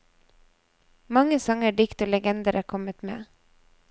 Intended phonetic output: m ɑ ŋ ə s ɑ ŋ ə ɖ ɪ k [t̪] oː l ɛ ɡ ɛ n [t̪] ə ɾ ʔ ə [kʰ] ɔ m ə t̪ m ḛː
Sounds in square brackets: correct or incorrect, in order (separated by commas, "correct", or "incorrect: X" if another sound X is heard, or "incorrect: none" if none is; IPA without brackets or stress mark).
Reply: correct, incorrect: d̪, correct